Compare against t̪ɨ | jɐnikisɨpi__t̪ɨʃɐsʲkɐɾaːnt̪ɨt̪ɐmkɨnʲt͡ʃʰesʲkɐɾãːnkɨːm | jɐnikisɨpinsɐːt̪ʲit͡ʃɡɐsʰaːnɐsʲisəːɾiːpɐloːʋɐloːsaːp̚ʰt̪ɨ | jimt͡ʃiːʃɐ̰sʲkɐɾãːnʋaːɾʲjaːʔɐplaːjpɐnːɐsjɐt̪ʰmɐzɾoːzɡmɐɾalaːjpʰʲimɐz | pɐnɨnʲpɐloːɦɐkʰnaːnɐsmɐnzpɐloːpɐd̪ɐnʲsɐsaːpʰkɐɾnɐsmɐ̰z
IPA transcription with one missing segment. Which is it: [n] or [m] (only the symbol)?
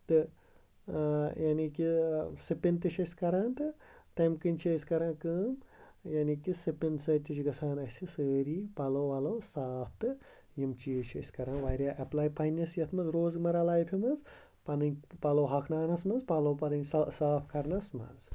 n